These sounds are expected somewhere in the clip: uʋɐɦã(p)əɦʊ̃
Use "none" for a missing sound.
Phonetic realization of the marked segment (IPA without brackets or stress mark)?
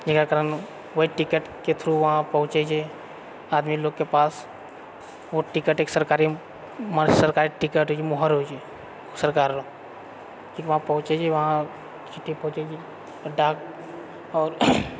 p